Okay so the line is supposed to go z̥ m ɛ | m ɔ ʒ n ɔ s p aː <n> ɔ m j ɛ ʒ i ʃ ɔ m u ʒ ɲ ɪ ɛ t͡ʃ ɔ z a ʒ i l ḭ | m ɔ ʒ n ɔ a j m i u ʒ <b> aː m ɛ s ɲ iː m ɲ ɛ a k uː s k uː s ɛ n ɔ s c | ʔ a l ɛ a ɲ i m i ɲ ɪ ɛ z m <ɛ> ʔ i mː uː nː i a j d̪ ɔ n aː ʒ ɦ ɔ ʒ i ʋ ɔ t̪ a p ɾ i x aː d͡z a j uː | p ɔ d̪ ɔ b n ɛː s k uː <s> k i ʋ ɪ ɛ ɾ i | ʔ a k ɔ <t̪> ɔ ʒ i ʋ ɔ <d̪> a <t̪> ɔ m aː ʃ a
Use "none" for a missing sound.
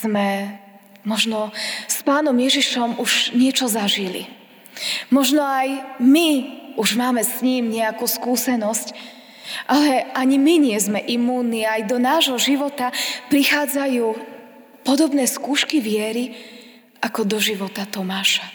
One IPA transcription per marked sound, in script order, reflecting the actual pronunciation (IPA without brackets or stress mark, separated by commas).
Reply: n, m, ɛ, ʃ, d̪, t̪, t̪